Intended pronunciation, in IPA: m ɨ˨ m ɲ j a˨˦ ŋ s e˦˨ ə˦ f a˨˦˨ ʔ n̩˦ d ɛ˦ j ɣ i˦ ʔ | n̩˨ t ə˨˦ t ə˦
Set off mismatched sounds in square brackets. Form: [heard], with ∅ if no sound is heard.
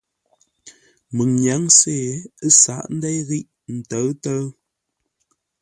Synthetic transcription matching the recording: m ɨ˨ [ŋ] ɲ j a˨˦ ŋ s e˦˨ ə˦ [s] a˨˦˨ ʔ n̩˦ d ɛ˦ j ɣ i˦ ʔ | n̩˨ t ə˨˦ t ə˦